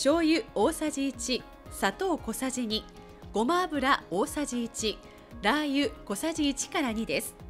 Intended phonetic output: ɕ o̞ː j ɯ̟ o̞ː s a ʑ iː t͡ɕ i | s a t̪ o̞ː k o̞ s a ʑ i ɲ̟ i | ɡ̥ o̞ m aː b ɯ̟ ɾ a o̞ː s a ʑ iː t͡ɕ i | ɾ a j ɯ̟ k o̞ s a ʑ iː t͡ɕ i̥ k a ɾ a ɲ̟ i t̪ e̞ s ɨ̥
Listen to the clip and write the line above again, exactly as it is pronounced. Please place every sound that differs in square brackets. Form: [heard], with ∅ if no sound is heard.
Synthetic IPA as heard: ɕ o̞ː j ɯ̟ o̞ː s a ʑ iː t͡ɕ i | s a t̪ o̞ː k o̞ s a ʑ i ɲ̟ i | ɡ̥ o̞ m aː b ɯ̟ ɾ a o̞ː s a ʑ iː t͡ɕ i | ɾ a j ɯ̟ k o̞ s a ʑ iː t͡ɕ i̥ k a ɾ a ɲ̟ i [d̪] e̞ s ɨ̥

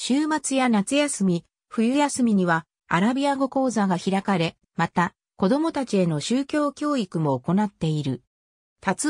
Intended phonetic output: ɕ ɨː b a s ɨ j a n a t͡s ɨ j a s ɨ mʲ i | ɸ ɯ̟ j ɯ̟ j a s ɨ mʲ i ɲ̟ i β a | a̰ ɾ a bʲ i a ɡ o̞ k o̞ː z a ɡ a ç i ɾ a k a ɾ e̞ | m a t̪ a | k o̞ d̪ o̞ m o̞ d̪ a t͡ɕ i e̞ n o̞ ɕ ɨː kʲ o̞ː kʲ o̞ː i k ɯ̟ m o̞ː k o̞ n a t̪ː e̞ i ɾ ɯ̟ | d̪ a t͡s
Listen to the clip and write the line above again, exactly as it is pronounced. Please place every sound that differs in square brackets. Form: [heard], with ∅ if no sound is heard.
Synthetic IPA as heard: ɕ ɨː [m] a [t͡s] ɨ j a n a t͡s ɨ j a s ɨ mʲ i | ɸ ɯ̟ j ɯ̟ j a s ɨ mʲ i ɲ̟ i β a | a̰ ɾ a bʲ i a ɡ o̞ k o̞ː z a ɡ a ç i ɾ a k a ɾ e̞ | m a t̪ a | k o̞ d̪ o̞ m o̞ [t̪] a t͡ɕ i e̞ n o̞ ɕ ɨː kʲ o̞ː kʲ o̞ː i k ɯ̟ m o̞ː k o̞ n a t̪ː e̞ i ɾ ɯ̟ | [t̪] a t͡s

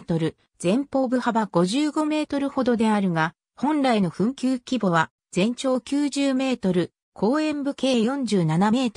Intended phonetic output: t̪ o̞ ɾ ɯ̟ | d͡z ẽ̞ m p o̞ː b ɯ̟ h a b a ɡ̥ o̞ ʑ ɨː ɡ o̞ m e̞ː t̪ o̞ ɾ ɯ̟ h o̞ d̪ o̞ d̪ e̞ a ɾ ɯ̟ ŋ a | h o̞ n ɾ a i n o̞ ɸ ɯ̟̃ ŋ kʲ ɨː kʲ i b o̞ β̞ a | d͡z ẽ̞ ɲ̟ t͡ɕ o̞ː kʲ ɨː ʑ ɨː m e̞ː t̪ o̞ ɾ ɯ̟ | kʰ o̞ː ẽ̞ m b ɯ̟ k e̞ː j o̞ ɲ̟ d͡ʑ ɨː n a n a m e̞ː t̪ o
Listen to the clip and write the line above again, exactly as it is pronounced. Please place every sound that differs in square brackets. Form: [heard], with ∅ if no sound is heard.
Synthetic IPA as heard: t̪ o̞ ɾ ɯ̟ | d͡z ẽ̞ m p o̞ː b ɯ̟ h a b a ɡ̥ o̞ ʑ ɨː ɡ o̞ m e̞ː t̪ o̞ ɾ ɯ̟ h o̞ d̪ o̞ d̪ e̞ a ɾ ɯ̟ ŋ a | h [õ̞] n ɾ a i n o̞ ɸ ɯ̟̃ ŋ kʲ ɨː kʲ i b o̞ β̞ a | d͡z ẽ̞ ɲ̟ t͡ɕ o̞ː kʲ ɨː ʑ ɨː m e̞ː t̪ o̞ ɾ ɯ̟ | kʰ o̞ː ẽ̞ m b ɯ̟ k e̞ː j [õ̞] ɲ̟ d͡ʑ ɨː n a n a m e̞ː t̪ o

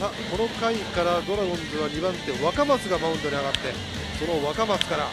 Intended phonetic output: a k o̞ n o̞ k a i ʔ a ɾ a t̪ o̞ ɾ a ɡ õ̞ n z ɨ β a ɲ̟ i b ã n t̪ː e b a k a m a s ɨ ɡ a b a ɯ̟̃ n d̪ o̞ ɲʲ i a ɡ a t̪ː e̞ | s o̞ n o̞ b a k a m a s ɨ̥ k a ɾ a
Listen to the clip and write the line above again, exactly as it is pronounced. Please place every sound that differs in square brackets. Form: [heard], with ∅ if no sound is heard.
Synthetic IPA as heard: a k o̞ n o̞ k a i [k] a ɾ a [d̪] o̞ ɾ a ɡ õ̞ n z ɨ β a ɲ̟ i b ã n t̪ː e [β] a k a m a s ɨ ɡ a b a ɯ̟̃ n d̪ o̞ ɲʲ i a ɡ a t̪ː e̞ | s o̞ n o̞ [β] a k a m a s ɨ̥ k a ɾ a

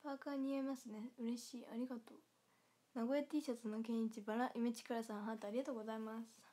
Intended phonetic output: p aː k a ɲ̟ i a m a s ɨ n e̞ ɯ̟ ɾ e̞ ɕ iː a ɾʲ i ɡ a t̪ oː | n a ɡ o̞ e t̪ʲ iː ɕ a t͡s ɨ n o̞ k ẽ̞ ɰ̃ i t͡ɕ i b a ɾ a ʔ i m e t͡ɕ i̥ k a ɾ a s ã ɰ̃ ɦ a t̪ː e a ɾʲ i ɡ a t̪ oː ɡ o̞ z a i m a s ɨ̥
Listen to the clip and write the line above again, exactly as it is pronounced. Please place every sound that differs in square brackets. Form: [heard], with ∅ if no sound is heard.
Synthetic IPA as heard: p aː k a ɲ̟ i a m a s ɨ n e̞ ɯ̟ ɾ e̞ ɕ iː a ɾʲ i ɡ a t̪ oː | n a ɡ o̞ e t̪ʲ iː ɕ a t͡s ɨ n o̞ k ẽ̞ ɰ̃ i t͡ɕ i b a ɾ a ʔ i m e t͡ɕ i̥ k a ɾ a s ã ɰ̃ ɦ a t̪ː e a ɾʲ i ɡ a t̪ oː ɡ o̞ z a i m a s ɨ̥

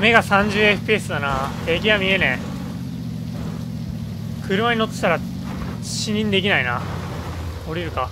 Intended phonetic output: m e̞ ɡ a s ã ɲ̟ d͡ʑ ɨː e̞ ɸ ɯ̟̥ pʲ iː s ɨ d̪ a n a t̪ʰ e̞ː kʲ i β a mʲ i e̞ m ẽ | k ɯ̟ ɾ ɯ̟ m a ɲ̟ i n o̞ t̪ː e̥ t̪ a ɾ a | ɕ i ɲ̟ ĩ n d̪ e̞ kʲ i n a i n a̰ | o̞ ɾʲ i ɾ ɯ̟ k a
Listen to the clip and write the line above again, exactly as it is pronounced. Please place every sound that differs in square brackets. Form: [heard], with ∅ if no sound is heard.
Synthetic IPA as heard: m e̞ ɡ a s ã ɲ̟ d͡ʑ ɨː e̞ ɸ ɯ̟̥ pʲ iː s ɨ d̪ a n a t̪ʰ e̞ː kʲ i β a mʲ i e̞ [n] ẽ | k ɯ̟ ɾ ɯ̟ m a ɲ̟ i n o̞ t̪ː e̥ t̪ a ɾ a | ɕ i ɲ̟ ĩ n d̪ e̞ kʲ i n a i n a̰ | o̞ ɾʲ i ɾ ɯ̟ k a

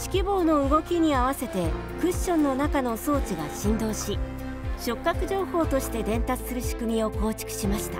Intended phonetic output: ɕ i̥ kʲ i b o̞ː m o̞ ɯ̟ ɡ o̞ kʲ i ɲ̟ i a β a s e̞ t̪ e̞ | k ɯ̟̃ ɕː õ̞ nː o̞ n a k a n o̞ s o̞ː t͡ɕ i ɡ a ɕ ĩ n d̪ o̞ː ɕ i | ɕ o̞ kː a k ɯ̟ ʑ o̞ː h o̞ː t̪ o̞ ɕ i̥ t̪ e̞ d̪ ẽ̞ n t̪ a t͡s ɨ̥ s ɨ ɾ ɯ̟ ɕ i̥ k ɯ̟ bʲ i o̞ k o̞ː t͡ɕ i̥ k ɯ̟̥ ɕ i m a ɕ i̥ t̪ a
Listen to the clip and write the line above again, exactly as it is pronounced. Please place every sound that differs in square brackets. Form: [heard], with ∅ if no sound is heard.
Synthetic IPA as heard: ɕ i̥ kʲ i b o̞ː [n] o̞ ɯ̟ ɡ o̞ kʲ i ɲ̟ i a β a s e̞ t̪ e̞ | k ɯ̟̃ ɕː õ̞ nː o̞ n a k a n o̞ s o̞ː t͡ɕ i ɡ a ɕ ĩ n d̪ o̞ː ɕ i | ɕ o̞ kː a k ɯ̟ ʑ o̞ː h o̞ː t̪ o̞ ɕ i̥ t̪ e̞ d̪ ẽ̞ n t̪ a t͡s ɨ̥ s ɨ ɾ ɯ̟ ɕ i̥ k ɯ̟ [mʲ] i o̞ k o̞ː t͡ɕ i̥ k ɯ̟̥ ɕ i m a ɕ i̥ t̪ a

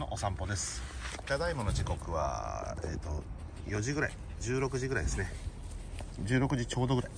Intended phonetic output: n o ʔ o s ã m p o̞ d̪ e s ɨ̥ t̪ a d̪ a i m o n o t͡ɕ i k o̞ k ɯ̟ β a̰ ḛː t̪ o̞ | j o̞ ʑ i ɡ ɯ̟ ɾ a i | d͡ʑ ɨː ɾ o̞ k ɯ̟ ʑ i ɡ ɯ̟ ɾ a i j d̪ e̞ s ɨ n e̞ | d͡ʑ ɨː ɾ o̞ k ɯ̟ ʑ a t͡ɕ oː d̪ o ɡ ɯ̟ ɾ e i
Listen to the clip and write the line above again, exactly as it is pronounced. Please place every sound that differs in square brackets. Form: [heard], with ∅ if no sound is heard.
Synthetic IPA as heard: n o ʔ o s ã m p o̞ d̪ e s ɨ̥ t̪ a d̪ a i m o n o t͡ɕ i k o̞ k ɯ̟ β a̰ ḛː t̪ o̞ | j o̞ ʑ i ɡ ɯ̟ ɾ a i | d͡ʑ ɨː ɾ o̞ k ɯ̟ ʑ i ɡ ɯ̟ ɾ a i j d̪ e̞ s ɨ n e̞ | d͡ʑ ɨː ɾ o̞ k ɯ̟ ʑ [i] t͡ɕ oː d̪ o ɡ ɯ̟ ɾ [a] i

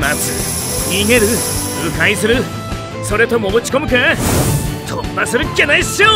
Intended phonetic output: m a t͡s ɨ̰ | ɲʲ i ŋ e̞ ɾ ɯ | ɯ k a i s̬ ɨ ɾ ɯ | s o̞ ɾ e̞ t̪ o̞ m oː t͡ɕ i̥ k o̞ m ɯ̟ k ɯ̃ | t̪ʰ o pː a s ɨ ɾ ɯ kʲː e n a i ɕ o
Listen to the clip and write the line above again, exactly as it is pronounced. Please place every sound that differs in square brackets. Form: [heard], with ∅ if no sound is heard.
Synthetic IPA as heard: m a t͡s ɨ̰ | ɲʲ i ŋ e̞ ɾ ɯ | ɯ k a i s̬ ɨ ɾ ɯ | s o̞ ɾ e̞ t̪ o̞ m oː t͡ɕ i̥ k o̞ m ɯ̟ k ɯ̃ | t̪ʰ o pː a s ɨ ɾ ɯ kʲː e n a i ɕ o

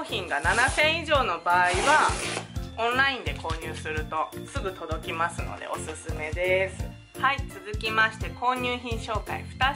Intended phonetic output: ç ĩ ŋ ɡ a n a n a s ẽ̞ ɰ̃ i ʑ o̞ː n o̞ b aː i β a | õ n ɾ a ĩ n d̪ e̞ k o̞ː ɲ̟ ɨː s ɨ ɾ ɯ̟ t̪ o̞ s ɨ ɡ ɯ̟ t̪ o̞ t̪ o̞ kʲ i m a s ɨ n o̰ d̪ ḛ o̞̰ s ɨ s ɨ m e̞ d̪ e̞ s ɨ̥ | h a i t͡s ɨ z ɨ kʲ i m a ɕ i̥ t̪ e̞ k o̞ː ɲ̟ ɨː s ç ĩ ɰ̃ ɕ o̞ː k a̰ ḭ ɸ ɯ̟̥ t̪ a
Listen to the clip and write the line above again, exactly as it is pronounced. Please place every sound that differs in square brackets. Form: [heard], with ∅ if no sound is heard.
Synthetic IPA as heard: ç ĩ ŋ ɡ a n a n a s ẽ̞ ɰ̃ i ʑ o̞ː n o̞ b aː i β a | õ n ɾ a ĩ n d̪ e̞ k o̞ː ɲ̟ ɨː s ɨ ɾ ɯ̟ t̪ o̞ s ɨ ɡ ɯ̟ t̪ o̞ [d̪] o̞ kʲ i m a s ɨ n o̰ d̪ ḛ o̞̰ s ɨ s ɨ m e̞ d̪ e̞ s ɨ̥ | h a i t͡s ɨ z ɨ kʲ i m a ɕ i̥ t̪ e̞ k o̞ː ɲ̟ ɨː [∅] ç ĩ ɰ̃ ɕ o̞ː k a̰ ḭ ɸ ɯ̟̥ t̪ a

